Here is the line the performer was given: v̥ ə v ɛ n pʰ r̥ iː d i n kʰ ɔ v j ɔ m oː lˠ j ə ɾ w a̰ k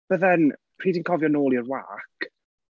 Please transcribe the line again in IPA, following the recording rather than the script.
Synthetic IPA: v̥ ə ð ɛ n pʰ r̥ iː d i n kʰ ɔ v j ɔ n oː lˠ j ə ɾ w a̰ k